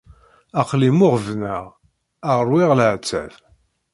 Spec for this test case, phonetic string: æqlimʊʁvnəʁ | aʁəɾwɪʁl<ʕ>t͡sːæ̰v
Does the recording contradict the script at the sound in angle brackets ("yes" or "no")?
no